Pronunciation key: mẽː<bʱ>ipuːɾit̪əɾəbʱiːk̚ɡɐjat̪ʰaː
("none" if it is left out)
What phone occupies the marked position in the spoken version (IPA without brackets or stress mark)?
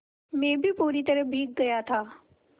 bʱ